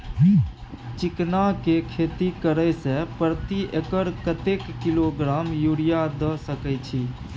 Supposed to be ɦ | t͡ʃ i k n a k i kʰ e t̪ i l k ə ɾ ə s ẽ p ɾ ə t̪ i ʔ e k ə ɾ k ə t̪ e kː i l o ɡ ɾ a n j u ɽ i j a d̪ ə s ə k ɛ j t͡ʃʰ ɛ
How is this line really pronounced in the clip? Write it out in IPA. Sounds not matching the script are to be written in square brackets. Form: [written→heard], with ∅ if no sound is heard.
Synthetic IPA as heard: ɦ | t͡ʃ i k n a k [i→e] kʰ e t̪ i [l→∅] k ə ɾ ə s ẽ p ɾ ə t̪ i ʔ e k ə ɾ k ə t̪ e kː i l o ɡ ɾ a [n→m] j u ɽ i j a d̪ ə s ə k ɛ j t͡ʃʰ [ɛ→i]

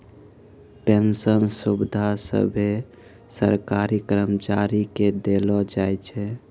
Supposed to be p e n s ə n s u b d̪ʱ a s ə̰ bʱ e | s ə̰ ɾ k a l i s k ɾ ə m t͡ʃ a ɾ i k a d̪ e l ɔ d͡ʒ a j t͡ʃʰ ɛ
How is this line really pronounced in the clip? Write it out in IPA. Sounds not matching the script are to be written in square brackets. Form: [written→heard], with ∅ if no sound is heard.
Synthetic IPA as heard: p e n s ə n s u b d̪ʱ a s ə̰ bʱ e | s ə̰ ɾ k a [l→ɾ] i [s→∅] k ɾ ə m t͡ʃ a ɾ i k [a→e] d̪ e l ɔ d͡ʒ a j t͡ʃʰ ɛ

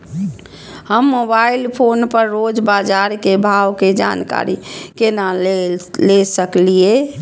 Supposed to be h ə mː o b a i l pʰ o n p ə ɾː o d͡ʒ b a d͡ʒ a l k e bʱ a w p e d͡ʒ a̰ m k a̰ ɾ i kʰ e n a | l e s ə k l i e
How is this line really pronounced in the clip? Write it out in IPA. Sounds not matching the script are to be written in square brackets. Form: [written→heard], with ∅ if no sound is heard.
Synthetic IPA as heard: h ə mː o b a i l pʰ o n p ə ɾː o d͡ʒ b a d͡ʒ a [l→ɾ] k e bʱ a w [p→k] e d͡ʒ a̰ [m→n] k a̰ ɾ i [kʰ→k] e n a | l e s ə k l i e

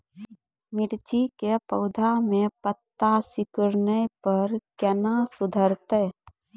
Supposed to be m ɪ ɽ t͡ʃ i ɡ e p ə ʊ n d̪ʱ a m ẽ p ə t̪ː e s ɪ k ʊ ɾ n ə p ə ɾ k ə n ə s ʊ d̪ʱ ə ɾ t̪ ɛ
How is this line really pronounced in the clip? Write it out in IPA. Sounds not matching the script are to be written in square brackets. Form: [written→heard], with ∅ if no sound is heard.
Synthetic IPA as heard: m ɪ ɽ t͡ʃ i [ɡ→k] e p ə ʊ [n→∅] d̪ʱ a m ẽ p ə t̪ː [e→a] s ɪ k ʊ ɾ n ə p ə ɾ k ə n [ə→a] s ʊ d̪ʱ ə ɾ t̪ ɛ

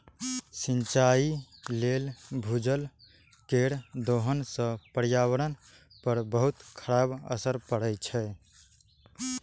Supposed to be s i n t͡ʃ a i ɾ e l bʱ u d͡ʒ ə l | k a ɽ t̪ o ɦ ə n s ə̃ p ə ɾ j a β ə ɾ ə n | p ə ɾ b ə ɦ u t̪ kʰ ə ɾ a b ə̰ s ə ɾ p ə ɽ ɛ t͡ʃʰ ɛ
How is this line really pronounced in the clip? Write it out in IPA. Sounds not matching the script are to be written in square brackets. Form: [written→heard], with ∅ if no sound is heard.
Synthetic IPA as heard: s i n t͡ʃ a i [ɾ→l] e l bʱ u d͡ʒ ə l | k [a→e] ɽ [t̪→d̪] o ɦ ə n s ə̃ p ə ɾ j a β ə ɾ ə n | p ə ɾ b ə ɦ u t̪ kʰ ə ɾ a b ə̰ s ə ɾ p ə ɽ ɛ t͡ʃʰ ɛ

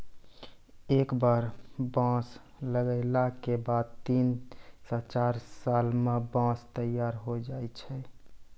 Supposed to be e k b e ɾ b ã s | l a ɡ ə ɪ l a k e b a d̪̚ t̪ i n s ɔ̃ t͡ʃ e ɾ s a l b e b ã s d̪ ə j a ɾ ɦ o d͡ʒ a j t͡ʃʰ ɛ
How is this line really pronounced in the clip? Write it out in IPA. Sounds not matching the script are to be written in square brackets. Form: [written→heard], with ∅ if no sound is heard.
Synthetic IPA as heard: e k b [e→a] ɾ b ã s | l [a→ə] ɡ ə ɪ l a k e b a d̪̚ t̪ i n s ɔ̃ t͡ʃ [e→a] ɾ s a l [b→m] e b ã s [d̪→t̪] ə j a ɾ ɦ o d͡ʒ a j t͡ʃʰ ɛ

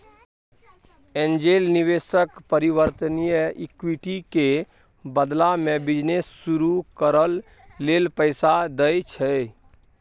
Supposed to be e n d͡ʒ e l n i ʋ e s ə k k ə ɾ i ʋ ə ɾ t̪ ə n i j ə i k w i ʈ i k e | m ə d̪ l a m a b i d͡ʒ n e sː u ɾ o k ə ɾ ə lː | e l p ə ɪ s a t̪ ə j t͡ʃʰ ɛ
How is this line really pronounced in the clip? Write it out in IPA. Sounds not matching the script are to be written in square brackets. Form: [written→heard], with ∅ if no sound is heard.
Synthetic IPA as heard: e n d͡ʒ e l n i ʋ e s ə k [k→p] ə ɾ i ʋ ə ɾ t̪ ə n i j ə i k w i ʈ i k e | [m→b] ə d̪ l a m [a→e] b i d͡ʒ n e sː u ɾ [o→u] k ə ɾ ə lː | e l p ə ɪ s a [t̪→d̪] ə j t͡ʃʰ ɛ

